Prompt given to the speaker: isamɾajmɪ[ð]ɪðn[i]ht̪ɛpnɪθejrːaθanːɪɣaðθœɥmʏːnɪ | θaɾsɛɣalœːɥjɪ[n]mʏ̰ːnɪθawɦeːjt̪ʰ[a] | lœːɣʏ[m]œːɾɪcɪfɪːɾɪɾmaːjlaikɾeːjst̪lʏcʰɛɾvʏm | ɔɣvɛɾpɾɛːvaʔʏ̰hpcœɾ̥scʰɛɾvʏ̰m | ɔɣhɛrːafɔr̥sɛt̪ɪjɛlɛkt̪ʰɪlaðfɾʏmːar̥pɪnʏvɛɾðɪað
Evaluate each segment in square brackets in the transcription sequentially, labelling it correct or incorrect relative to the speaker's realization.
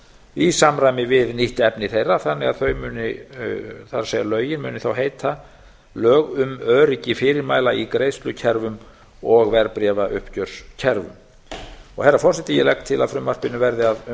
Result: incorrect, correct, correct, correct, correct

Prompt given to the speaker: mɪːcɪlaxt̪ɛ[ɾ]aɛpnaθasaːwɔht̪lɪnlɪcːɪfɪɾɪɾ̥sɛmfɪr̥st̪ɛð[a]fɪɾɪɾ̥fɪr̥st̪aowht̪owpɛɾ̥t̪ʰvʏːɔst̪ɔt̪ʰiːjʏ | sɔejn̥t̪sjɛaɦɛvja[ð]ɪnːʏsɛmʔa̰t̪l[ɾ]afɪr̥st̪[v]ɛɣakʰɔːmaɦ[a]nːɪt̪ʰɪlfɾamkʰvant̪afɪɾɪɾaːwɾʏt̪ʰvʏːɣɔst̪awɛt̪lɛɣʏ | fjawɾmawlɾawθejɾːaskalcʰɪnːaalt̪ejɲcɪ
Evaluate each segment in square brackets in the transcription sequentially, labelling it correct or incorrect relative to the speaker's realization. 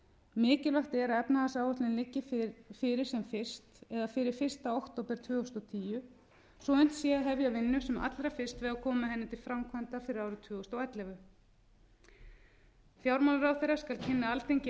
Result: correct, correct, incorrect, correct, correct, incorrect

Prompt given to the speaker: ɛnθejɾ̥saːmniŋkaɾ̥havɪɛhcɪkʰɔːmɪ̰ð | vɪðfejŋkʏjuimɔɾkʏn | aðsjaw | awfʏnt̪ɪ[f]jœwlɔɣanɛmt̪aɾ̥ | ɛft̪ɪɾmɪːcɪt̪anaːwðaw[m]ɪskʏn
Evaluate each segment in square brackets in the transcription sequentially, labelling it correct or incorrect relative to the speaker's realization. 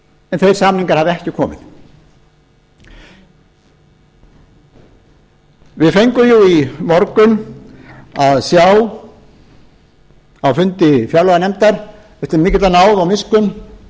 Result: correct, correct

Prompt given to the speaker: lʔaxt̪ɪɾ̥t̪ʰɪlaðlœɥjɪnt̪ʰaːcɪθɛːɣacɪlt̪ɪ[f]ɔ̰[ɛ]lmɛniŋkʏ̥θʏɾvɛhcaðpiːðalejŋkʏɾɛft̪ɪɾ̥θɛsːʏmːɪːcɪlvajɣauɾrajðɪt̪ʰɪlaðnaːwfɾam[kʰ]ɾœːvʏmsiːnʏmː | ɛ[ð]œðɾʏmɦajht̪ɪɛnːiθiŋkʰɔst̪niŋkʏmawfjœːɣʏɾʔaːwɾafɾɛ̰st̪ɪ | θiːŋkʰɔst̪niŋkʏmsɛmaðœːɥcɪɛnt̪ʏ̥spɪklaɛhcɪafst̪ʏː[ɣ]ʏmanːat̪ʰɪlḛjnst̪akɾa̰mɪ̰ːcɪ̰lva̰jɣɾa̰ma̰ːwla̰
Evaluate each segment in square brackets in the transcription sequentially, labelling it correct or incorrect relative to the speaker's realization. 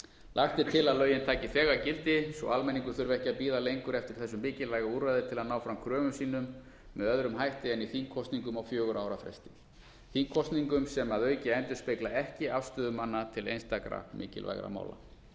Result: incorrect, incorrect, correct, correct, incorrect

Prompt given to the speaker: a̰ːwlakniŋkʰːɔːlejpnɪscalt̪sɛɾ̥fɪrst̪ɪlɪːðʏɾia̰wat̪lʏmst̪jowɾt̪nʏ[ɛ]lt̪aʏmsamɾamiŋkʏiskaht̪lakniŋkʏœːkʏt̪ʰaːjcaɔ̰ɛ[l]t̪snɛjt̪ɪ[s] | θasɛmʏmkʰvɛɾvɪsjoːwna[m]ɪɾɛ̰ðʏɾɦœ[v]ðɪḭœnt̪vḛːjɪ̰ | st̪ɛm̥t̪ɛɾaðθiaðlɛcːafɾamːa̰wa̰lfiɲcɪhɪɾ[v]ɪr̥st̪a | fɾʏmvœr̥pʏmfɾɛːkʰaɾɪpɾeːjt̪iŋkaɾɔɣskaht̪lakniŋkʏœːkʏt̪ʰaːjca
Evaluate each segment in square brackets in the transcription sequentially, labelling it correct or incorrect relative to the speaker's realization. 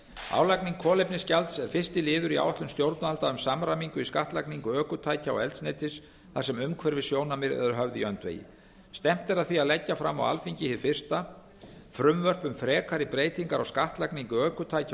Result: incorrect, correct, correct, correct, correct, incorrect

